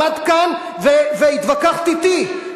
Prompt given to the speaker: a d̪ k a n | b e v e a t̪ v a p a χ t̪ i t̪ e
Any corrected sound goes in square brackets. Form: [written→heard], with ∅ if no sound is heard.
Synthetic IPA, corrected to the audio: a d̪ k a n | [b→v] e v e [a→i] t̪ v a [p→k] a χ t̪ i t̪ [e→i]